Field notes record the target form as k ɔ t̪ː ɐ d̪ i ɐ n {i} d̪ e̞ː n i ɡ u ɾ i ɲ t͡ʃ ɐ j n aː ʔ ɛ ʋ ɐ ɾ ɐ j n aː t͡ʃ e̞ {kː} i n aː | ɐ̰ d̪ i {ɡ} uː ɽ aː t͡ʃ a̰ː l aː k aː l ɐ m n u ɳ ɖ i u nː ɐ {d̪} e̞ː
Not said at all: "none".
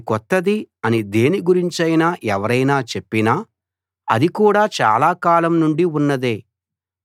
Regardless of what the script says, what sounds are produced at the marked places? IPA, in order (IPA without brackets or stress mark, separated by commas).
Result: i, pː, k, d̪